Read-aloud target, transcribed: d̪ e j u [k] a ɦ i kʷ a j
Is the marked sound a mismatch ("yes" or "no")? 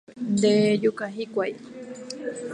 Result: no